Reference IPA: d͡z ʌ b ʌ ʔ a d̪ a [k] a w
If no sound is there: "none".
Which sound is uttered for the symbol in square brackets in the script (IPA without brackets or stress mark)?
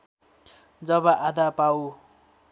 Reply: p